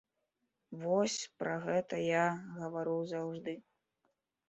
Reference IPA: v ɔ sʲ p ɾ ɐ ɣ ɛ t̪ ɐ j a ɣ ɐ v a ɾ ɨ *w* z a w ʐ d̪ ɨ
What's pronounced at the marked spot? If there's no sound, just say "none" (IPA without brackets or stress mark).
w